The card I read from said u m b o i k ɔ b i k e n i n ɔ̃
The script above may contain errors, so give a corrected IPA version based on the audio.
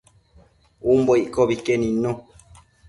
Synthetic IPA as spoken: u m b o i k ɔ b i k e n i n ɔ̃